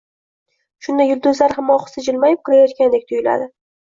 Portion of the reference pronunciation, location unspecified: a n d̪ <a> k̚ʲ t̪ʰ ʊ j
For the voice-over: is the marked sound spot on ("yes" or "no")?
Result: no